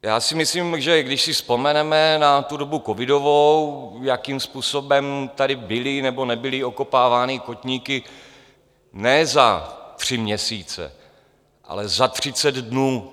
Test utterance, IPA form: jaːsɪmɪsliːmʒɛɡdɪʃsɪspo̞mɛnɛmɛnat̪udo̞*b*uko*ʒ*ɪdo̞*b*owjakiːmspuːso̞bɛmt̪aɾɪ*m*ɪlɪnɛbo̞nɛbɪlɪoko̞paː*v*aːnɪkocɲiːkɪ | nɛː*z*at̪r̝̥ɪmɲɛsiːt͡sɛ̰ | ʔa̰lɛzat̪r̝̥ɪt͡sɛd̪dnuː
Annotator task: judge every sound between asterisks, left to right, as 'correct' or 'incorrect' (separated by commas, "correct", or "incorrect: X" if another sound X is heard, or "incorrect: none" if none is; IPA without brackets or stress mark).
correct, incorrect: v, incorrect: v, incorrect: b, correct, correct